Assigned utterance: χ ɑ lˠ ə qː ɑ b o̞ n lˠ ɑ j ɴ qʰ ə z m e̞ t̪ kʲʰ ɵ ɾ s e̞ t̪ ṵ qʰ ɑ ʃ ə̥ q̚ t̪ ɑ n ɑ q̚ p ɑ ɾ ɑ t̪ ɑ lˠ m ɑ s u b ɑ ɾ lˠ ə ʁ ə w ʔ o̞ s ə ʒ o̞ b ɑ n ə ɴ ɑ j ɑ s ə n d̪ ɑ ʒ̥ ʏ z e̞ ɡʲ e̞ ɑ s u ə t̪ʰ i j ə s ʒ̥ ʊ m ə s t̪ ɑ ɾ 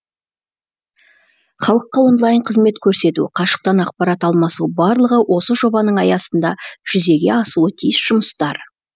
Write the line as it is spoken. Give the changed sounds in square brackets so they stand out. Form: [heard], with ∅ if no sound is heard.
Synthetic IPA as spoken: χ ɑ lˠ ə qː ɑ [w] o̞ n lˠ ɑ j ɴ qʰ ə z m e̞ t̪ kʲʰ ɵ ɾ s e̞ t̪ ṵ qʰ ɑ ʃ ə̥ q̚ t̪ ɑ n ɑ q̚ p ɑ ɾ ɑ t̪ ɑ lˠ m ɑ s u b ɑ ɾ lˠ ə ʁ ə w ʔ o̞ s ə ʒ o̞ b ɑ n ə ɴ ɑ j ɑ s ə n d̪ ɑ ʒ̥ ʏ z e̞ ɡʲ e̞ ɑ s u ə t̪ʰ i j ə s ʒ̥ ʊ m ə s t̪ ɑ ɾ

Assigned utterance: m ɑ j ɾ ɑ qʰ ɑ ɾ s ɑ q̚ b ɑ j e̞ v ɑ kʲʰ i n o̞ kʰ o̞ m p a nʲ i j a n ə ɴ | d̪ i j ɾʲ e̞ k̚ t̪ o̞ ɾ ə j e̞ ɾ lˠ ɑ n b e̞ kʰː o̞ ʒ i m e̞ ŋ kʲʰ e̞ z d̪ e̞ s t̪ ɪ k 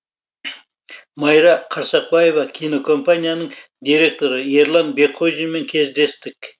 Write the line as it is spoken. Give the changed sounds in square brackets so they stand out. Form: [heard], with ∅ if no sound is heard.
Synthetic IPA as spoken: m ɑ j ɾ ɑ qʰ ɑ ɾ s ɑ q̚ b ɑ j e̞ v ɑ kʲʰ i n o̞ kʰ o̞ m p a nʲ i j a n ə ɴ | d̪ i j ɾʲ e̞ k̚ t̪ o̞ ɾ ə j e̞ ɾ lˠ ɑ n b e̞ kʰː o̞ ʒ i m e̞ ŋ kʲʰ e̞ z d̪ e̞ s t̪ ɪ k

